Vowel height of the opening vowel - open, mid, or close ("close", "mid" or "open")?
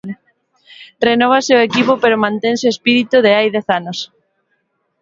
mid